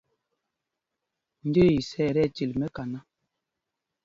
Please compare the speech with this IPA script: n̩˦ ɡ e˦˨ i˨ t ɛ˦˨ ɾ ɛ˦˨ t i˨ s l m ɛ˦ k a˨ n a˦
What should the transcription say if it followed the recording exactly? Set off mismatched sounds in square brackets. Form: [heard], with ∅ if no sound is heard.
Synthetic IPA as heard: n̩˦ [d] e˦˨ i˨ [s] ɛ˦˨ ɾ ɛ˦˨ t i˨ [∅] l m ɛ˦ k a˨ n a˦

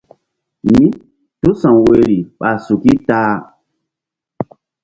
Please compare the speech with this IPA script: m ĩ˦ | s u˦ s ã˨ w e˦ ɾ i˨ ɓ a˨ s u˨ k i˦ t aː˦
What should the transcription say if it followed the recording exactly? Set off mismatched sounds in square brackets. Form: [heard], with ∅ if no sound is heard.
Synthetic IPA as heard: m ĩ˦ | [t] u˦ s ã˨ w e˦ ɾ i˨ ɓ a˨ s u˨ k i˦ t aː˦

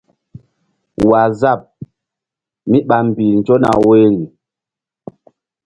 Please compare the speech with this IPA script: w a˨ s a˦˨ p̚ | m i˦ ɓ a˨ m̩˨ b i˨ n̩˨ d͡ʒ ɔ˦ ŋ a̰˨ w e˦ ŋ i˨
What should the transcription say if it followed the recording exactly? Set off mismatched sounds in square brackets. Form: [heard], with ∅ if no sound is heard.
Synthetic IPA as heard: w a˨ [z] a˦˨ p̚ | m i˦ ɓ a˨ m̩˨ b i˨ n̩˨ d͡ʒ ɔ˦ [n] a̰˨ w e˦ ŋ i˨

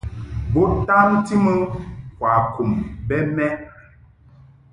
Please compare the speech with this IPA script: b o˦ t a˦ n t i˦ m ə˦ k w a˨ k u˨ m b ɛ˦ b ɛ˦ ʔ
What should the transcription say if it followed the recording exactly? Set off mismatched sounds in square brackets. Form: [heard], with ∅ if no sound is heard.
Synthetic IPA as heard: b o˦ t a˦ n t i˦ m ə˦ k w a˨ k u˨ m b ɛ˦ [m] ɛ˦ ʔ

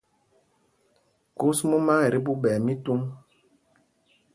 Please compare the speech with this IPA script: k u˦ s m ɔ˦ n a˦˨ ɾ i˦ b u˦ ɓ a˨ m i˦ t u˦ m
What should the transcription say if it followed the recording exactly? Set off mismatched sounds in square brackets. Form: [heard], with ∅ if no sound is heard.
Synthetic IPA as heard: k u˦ s m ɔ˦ [m] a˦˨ ɾ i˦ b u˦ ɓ [ɛ˨] m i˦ t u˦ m

